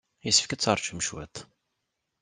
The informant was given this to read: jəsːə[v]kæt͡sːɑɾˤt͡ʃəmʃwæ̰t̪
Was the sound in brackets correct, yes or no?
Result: no